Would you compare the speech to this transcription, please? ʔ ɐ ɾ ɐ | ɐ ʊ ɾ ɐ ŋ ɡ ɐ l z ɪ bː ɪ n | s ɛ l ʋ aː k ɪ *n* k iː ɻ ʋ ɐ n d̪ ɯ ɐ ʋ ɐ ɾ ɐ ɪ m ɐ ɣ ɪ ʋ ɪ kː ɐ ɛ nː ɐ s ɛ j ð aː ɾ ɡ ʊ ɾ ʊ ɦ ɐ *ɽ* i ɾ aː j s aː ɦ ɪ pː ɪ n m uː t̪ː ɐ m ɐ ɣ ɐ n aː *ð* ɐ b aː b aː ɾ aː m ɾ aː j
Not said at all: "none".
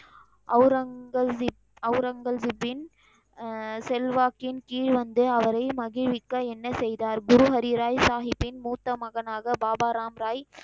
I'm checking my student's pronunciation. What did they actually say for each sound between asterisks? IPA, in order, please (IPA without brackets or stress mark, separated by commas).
n, ɾ, ɣ